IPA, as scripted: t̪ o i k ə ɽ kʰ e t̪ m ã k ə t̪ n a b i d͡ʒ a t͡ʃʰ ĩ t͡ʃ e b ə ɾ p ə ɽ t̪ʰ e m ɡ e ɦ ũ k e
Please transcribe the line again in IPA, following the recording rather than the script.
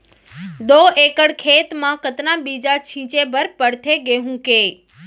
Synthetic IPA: d̪ o e k ə ɽ kʰ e t̪ m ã k ə t̪ n a b i d͡ʒ a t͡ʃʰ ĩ t͡ʃ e b ə ɾ p ə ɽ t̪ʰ e ɡ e ɦ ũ k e

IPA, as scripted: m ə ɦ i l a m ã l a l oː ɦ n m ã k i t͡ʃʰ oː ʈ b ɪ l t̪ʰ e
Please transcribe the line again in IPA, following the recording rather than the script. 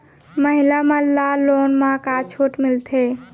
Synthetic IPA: m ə ɦ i l a m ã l a l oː n m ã k a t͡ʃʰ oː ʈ m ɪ l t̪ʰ e

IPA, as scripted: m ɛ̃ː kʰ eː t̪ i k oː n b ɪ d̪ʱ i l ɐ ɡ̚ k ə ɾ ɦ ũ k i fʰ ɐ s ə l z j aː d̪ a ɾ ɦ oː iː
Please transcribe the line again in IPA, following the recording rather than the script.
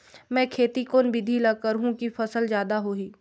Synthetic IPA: m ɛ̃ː kʰ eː t̪ i k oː n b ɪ d̪ʱ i l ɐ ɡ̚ k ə ɾ ɦ ũ k i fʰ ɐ s ə l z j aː d̪ a ɦ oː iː

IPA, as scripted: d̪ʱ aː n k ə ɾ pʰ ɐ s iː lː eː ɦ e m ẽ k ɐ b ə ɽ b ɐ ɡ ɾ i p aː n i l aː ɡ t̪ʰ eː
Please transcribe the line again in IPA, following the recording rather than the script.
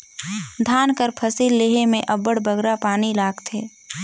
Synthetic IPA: d̪ʱ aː n k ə ɾ pʰ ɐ s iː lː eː ɦ e m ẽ ʔ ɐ b ə ɽ b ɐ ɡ ɾ a p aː n i l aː ɡ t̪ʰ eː

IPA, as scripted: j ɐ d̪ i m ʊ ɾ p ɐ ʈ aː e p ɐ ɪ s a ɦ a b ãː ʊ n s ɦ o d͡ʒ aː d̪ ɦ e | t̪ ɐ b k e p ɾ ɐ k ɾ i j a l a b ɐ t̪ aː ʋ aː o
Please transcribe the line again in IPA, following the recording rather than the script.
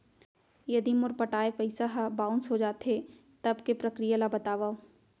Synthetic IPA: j ɐ d̪ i m ʊ ɾ p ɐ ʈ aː e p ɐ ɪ s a ɦ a b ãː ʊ n s ɦ o d͡ʒ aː t̪ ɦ e | t̪ ɐ b k e p ɾ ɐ k ɾ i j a l a b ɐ t̪ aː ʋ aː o

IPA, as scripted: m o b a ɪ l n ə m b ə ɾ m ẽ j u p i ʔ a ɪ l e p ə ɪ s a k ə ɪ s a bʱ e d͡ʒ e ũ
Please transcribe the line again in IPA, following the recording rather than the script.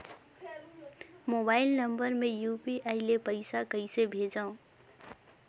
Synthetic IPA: m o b a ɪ l n ə m b ə ɾ m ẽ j u p i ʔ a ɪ l e p ə ɪ s a k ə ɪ s e bʱ e d͡ʒ a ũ

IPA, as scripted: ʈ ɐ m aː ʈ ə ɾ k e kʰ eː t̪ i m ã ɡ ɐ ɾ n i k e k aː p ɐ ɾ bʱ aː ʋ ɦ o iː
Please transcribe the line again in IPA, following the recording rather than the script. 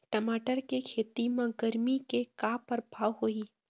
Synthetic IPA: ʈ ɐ m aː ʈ ə ɾ k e kʰ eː t̪ i m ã ɡ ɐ ɾ m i k e k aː p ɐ ɾ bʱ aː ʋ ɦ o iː

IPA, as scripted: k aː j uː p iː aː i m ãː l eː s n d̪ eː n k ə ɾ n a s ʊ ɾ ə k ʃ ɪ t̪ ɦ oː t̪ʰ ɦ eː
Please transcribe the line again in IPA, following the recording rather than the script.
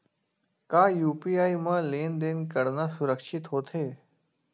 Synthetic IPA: k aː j uː p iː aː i m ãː l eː n d̪ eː n k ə ɾ n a s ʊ ɾ ə k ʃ ɪ t̪ ɦ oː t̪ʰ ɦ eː

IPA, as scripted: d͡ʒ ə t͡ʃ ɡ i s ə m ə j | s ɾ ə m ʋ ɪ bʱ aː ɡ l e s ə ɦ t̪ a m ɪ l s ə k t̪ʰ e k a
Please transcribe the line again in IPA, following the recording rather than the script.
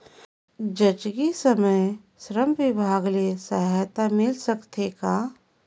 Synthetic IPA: d͡ʒ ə t͡ʃ ɡ i s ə m ə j | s ɾ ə m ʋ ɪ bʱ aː ɡ l e s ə ɦ t̪ a m ɪ l s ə k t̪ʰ e k a

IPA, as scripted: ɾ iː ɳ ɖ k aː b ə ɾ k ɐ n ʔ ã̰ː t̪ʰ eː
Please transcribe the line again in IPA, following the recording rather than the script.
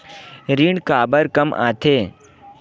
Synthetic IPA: ɾ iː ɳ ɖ k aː b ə ɾ k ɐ m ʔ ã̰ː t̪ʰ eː

